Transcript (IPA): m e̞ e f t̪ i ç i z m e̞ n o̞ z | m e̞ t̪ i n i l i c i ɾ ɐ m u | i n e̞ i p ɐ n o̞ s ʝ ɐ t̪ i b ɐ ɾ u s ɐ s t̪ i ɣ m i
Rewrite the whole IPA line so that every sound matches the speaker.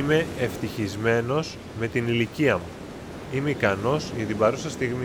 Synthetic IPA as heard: m e̞ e f t̪ i ç i z m e̞ n o̞ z | m e̞ t̪ i n i l i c i ɐ m u | i m e̞ i k ɐ n o̞ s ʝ ɐ t̪ i b ɐ ɾ u s ɐ s t̪ i ɣ m i